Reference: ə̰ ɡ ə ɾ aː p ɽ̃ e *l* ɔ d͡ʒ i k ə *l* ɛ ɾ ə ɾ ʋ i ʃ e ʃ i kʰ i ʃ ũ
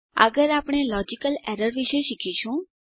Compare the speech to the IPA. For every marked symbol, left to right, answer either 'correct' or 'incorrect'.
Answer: correct, correct

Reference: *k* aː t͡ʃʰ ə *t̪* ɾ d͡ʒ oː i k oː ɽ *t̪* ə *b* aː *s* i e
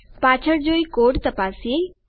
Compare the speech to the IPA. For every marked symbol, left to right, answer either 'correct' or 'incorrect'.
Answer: incorrect, incorrect, correct, incorrect, correct

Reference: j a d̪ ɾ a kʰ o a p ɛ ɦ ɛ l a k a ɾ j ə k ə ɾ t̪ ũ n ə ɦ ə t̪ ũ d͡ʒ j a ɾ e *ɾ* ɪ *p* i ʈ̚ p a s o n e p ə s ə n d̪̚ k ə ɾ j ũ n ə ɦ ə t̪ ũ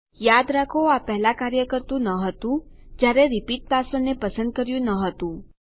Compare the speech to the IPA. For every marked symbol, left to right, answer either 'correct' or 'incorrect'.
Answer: correct, correct

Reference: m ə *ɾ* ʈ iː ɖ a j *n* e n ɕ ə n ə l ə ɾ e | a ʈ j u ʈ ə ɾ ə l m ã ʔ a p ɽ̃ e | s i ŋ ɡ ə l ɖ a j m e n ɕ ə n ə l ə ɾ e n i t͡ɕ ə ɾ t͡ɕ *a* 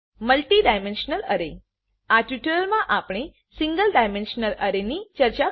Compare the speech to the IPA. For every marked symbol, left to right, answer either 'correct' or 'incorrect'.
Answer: incorrect, incorrect, correct

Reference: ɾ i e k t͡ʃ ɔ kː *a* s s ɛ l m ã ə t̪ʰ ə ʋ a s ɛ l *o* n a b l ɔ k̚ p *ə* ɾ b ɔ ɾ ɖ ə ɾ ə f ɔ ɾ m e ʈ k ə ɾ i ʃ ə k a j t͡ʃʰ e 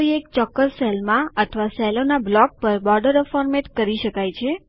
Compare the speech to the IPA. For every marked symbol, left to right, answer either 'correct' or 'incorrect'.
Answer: incorrect, correct, correct

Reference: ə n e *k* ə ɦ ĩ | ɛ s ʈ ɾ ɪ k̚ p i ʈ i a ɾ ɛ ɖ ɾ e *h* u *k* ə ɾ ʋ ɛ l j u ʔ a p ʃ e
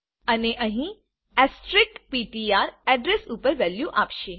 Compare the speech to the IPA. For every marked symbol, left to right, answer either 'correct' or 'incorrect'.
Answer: incorrect, incorrect, incorrect

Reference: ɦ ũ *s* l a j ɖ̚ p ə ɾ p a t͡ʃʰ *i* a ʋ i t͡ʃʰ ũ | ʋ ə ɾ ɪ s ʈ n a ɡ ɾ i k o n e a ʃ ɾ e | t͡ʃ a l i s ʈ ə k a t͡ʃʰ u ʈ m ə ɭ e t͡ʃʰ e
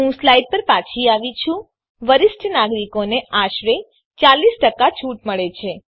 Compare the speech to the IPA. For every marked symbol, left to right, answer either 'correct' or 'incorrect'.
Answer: correct, correct

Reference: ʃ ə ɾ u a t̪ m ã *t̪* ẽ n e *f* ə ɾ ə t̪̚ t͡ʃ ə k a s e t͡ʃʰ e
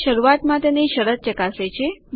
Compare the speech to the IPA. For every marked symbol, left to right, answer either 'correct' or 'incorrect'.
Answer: correct, incorrect

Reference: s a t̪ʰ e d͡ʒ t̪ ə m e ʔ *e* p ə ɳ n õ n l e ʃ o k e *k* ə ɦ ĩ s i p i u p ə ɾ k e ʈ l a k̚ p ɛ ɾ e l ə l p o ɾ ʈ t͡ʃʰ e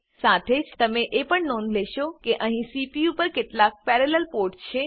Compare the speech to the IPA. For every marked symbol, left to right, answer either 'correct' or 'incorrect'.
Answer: correct, incorrect

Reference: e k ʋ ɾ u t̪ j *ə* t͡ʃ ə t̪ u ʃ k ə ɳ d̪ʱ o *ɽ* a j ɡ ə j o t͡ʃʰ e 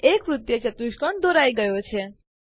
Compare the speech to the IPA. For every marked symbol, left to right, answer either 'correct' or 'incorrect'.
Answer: correct, incorrect

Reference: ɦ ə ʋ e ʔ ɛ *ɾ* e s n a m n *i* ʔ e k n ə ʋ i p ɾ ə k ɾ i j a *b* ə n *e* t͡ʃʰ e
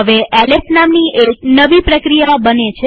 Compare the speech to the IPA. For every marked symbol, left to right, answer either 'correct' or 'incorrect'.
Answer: incorrect, correct, correct, correct

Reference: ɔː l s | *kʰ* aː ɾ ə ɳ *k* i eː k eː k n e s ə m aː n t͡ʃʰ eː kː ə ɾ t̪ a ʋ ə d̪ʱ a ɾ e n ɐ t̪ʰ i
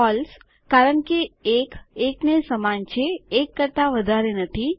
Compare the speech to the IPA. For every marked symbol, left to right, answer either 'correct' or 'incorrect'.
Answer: incorrect, correct

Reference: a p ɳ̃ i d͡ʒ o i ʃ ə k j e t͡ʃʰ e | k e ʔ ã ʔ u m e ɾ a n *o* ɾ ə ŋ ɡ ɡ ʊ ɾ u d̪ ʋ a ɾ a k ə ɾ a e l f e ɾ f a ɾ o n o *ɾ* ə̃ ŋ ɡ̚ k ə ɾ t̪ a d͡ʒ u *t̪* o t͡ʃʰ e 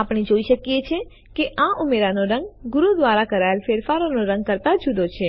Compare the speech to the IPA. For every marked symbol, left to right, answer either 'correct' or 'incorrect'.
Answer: correct, correct, incorrect

